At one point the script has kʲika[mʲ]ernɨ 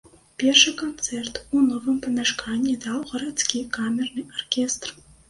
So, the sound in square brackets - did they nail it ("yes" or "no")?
yes